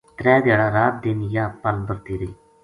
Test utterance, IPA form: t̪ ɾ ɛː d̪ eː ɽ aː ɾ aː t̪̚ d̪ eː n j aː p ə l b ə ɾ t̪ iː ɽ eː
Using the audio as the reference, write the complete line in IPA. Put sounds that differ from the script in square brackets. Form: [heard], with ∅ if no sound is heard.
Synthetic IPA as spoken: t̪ ɾ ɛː d̪ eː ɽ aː ɾ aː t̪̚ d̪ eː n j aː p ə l b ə ɾ t̪ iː [ɾ] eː

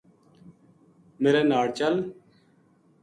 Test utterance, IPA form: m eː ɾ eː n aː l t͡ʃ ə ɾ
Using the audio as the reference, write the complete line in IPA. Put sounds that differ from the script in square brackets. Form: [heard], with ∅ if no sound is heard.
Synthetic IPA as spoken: m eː ɾ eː n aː [ɽ] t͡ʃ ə [l]

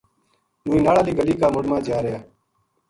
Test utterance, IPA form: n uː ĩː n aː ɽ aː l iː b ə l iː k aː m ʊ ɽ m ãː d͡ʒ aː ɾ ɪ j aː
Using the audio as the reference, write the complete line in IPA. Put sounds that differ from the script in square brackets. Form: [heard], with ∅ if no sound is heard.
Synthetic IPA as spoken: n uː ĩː n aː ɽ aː l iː [ɡ] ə l iː k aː m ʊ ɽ m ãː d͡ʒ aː ɾ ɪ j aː

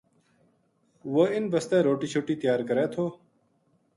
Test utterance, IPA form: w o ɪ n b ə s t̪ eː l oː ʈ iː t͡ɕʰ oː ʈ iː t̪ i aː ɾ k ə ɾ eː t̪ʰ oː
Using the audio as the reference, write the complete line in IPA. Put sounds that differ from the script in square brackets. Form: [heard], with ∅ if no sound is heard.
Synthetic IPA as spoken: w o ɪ n b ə s t̪ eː [ɾ] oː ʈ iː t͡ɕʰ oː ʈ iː t̪ [j] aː ɾ k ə ɾ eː t̪ʰ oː

